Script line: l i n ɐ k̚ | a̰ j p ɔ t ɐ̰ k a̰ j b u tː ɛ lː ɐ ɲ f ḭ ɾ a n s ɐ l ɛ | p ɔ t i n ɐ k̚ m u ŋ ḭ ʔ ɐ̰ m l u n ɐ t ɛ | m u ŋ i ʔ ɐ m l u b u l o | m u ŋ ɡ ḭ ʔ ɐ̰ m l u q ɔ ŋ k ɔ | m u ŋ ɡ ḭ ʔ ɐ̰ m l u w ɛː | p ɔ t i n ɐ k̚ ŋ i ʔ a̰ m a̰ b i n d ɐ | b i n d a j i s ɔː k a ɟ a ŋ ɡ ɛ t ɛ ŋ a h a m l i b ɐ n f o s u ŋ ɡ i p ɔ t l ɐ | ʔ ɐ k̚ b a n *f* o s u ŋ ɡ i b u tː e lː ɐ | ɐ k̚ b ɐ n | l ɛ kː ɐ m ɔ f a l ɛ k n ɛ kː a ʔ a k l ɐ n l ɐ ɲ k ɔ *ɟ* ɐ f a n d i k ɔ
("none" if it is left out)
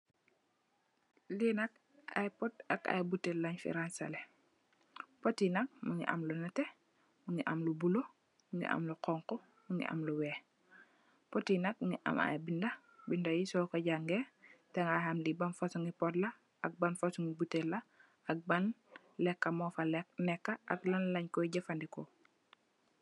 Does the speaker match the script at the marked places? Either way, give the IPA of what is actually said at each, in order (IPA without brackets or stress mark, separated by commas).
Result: f, ɟ